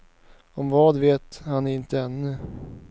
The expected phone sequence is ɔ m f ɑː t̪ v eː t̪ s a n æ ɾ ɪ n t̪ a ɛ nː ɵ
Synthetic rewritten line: ɔ m v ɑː d̪ v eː t̪ h a n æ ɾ ɪ n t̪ ə ɛ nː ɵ

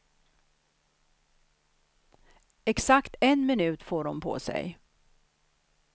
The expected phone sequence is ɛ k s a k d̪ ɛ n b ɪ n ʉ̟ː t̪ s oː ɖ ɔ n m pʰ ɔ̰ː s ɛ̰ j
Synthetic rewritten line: ɛ k s a k t̪ ɛ n m ɪ n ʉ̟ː t̪ f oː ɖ ɔ m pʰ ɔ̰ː s ɛ̰ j

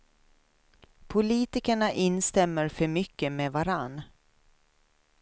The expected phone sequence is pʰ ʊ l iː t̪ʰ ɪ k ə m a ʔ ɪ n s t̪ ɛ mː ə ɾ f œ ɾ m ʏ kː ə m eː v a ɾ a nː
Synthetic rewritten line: pʰ ʊ l iː t̪ ɪ k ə ɳ a ʔ ɪ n s t̪ ɛ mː ə ɾ f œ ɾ m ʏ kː ə m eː v a ɾ a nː

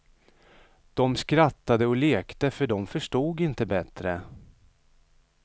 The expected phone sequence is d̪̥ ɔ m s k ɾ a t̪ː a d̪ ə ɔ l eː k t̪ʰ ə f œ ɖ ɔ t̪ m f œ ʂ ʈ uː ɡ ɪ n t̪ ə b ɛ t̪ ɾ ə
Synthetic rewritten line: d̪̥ ɔ m s k ɾ a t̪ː a d̪ ə ɔ l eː k t̪ ə f œ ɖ ɔ m f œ ʂ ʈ uː ɡ ɪ n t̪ ə b ɛ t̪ ɾ ə

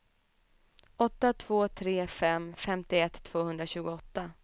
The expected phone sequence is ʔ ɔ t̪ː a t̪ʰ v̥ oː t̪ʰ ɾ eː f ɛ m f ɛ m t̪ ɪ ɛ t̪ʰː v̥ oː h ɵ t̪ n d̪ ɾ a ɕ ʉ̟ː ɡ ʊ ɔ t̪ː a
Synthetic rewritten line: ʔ ɔ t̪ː a t̪ʰ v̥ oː t̪ʰ ɾ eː f ɛ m f ɛ m t̪ ɪ ɛ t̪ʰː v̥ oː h ɵ n d̪ ɾ a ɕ ʉ̟ː ɡ ʊ ɔ t̪ː a

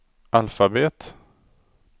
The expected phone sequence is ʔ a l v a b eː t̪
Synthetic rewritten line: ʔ a l f a b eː t̪

